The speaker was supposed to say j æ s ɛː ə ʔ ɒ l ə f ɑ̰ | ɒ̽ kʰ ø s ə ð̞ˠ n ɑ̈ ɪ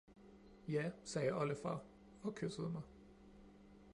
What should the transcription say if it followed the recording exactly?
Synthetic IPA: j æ s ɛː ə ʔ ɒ l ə f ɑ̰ | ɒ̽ kʰ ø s ə ð̞ˠ m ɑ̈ ɪ